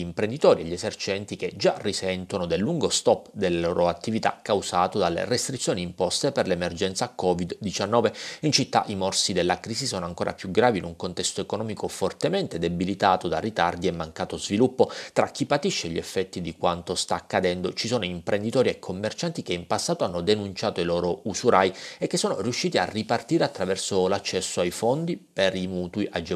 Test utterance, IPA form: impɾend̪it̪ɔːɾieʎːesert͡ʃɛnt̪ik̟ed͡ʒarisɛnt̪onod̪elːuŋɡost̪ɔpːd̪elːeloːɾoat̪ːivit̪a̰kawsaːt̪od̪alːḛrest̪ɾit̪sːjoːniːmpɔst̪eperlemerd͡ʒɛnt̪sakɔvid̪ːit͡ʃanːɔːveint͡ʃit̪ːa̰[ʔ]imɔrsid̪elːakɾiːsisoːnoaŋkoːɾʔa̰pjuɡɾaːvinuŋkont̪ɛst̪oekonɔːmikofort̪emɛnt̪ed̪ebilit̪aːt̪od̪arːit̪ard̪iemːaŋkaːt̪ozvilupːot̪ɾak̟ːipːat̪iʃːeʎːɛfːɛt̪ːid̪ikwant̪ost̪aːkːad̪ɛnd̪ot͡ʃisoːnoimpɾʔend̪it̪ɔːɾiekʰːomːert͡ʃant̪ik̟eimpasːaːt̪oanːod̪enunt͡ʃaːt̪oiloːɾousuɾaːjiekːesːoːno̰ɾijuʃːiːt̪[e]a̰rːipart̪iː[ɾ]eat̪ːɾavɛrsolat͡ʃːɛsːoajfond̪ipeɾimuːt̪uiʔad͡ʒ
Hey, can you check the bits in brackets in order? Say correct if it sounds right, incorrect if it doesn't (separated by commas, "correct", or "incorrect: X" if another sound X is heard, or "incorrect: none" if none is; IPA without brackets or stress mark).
correct, incorrect: i, correct